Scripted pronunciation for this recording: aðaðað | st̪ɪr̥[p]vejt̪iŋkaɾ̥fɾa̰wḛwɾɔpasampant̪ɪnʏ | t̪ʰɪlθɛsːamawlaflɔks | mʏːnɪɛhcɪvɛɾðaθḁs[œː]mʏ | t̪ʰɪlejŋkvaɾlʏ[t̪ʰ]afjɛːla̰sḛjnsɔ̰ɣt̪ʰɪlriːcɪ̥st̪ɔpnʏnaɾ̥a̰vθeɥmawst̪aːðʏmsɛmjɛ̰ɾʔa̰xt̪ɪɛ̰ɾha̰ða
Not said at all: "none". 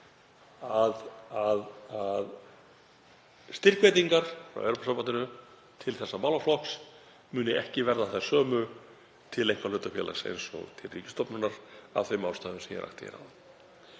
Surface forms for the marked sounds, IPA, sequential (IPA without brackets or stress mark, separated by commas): k, œː, t̪